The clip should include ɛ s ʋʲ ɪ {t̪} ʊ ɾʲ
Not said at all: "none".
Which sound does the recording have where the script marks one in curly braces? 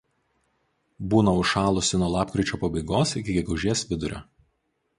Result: d̪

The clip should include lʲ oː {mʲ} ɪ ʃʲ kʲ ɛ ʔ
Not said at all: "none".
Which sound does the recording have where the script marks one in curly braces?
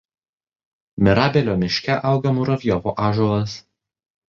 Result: mʲ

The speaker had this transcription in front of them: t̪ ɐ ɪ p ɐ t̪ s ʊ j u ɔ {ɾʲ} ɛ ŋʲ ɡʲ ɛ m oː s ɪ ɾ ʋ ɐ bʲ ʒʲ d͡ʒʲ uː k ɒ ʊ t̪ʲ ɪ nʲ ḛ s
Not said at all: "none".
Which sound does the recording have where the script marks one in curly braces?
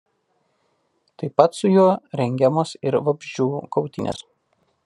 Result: ɾʲ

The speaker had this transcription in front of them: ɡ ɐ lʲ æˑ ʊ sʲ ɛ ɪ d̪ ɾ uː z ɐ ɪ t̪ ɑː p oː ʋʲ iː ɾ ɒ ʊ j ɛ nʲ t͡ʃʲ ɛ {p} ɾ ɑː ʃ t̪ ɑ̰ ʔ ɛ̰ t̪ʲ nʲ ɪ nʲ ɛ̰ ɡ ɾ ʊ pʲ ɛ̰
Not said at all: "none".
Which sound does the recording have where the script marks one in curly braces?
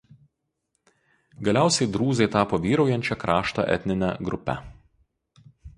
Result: k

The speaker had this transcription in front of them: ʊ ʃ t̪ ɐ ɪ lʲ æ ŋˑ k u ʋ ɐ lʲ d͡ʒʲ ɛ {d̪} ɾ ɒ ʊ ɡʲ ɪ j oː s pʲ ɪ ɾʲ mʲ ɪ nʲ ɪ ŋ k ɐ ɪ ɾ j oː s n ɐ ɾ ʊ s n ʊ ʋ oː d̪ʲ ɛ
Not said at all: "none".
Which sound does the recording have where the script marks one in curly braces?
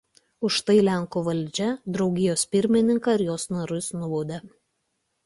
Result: d̪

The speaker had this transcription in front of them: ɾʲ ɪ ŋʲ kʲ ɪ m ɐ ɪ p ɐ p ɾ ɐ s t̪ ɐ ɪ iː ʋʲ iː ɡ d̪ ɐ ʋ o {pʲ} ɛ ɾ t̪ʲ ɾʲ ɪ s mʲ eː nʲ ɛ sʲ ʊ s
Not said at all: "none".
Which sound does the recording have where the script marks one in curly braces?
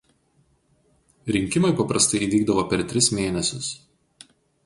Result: pʲ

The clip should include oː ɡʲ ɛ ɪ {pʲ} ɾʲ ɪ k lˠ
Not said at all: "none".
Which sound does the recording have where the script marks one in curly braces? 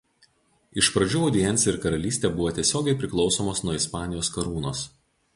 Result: pʲ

